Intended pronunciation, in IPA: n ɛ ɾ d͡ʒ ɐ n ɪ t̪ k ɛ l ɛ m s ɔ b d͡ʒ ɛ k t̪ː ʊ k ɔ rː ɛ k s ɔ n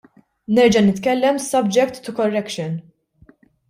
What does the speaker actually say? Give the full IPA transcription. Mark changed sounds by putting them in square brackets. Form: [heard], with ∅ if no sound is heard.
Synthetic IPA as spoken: n ɛ ɾ d͡ʒ ɐ n ɪ t̪ k ɛ [lː] ɛ m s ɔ b d͡ʒ ɛ k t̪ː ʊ k ɔ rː ɛ k [ʃ] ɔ n